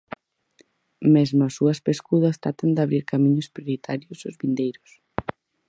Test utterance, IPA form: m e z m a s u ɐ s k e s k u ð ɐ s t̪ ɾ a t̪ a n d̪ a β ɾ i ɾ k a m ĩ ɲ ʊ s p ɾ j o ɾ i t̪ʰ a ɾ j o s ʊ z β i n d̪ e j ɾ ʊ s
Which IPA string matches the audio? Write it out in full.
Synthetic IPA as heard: m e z m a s u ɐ s p e s k u ð ɐ s t̪ ɾ a t̪ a n d̪ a β ɾ i ɾ k a m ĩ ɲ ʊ s p ɾ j o ɾ i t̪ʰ a ɾ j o s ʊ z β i n d̪ e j ɾ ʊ s

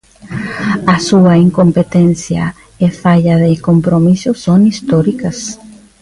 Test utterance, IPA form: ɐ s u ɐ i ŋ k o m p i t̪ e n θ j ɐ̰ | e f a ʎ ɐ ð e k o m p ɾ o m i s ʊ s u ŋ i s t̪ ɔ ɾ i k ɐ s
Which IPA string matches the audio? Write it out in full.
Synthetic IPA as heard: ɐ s u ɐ i ŋ k o m p e t̪ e n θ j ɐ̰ | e f a ʎ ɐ ð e k o m p ɾ o m i s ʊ s o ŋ i s t̪ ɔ ɾ i k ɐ s

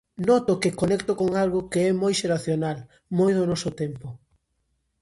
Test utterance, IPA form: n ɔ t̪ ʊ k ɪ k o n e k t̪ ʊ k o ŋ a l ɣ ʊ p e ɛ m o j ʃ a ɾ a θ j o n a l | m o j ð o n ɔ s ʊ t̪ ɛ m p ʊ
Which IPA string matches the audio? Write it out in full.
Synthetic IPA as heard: n ɔ t̪ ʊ k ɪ k o n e k t̪ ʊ k o ŋ a l ɣ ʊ k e ɛ m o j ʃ e ɾ a θ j o n a l | m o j ð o n ɔ s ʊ t̪ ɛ m p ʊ

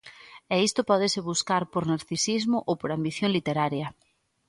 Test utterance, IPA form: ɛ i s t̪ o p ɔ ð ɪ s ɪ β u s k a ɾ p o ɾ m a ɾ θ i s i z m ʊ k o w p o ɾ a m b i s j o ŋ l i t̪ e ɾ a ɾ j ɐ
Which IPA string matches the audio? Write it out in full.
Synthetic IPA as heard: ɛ i s t̪ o p ɔ ð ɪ s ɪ β u s k a ɾ p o ɾ n a ɾ θ i s i z m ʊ ʔ o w p o ɾ a m b i θ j o ŋ l i t̪ e ɾ a ɾ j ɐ

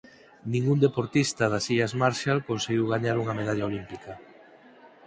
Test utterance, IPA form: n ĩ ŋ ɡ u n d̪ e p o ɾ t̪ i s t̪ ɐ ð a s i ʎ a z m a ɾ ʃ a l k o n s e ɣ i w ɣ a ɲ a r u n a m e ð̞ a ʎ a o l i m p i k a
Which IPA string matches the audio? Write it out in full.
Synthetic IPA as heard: n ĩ ŋ ɡ u n d̪ e p o ɾ t̪ i s t̪ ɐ ð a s i ʎ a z m a ɾ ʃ a l k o n s e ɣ i w ɣ a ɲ a ɾ u ŋ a m e ð̞ a ʎ a o l i m p i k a

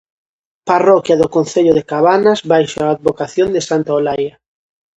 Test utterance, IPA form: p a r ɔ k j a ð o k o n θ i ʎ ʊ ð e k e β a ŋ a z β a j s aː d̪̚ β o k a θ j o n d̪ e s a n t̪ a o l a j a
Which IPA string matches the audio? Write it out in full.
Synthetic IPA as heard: p a r ɔ k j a ð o k o n θ e ʎ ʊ ð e k a β a n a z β a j ʃ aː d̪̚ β o k a θ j o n d̪ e s a n t̪ a o l a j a

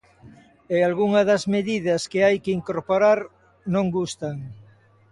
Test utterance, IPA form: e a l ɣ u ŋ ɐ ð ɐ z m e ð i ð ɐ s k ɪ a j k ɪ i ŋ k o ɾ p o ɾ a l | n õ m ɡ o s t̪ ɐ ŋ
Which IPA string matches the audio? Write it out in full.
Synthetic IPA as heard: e a l ɣ u ŋ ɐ ð ɐ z m e ð i ð ɐ s k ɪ a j k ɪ i ŋ k o ɾ p o ɾ a ɾ | n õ ŋ ɡ u s t̪ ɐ ŋ

